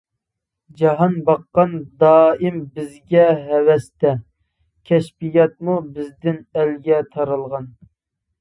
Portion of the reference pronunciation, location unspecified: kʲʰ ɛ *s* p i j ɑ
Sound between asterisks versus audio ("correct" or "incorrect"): incorrect